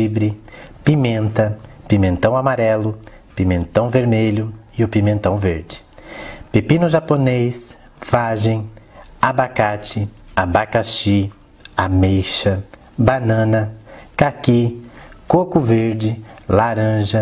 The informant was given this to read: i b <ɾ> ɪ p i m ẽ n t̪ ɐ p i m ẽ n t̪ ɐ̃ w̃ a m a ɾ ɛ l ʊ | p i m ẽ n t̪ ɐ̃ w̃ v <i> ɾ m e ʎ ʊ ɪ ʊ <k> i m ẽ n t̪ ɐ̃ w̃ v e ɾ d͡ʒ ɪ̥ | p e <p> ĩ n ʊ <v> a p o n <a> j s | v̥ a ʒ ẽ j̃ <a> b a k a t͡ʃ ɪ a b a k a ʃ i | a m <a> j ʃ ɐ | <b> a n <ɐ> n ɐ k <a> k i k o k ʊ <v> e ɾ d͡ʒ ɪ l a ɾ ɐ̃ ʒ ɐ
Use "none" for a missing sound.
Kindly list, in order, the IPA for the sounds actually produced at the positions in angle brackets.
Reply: ɾ, e, p, p, ʒ, e, a, e, b, ɐ̃, a, v

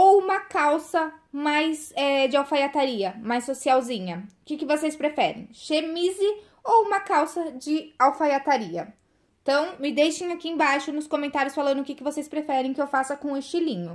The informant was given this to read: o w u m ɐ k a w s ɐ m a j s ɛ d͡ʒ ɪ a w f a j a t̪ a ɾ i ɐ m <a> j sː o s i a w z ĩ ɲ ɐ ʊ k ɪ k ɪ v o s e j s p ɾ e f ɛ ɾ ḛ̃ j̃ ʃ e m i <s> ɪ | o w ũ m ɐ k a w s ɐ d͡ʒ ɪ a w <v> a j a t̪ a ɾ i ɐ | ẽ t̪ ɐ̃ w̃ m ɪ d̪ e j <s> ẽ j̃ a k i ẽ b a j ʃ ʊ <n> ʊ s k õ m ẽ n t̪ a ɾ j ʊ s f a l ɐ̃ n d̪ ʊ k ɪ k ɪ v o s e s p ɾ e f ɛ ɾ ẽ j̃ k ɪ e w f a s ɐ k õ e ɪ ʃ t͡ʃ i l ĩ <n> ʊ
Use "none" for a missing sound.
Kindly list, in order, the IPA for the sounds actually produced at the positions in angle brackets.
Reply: a, z, f, ʃ, n, ɲ

